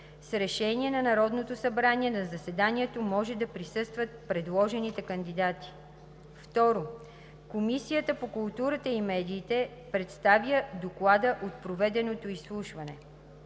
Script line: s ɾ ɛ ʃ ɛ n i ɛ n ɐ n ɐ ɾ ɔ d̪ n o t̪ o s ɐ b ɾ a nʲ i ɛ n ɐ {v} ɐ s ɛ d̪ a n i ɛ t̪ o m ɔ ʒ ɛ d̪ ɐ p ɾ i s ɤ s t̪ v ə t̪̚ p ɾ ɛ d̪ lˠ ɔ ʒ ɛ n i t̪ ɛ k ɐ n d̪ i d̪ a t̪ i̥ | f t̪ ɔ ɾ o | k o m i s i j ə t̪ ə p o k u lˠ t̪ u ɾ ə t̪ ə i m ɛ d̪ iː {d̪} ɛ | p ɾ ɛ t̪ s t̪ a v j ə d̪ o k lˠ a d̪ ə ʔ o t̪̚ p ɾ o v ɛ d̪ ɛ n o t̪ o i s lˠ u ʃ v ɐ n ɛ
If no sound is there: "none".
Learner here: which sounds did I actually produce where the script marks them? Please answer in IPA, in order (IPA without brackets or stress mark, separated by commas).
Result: z, t̪